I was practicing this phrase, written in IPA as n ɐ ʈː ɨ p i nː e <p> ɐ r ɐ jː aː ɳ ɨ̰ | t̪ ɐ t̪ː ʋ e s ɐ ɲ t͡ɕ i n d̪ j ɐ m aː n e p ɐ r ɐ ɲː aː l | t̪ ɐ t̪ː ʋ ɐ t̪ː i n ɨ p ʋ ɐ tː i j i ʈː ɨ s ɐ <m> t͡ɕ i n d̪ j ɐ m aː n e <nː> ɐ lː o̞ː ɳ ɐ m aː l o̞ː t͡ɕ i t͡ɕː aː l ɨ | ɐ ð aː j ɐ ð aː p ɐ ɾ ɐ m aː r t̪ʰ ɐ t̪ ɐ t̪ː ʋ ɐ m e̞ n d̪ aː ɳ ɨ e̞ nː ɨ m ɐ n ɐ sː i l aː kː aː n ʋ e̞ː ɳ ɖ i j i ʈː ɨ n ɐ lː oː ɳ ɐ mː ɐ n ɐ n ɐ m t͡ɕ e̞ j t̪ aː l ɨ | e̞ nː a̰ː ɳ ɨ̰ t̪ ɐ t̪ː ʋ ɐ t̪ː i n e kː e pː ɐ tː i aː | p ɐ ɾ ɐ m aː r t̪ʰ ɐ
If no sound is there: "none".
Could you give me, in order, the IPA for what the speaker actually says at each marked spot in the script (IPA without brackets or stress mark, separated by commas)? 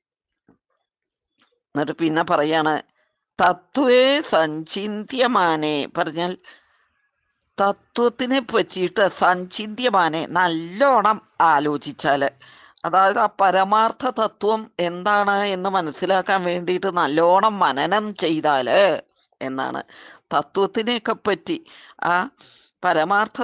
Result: p, ɲ, n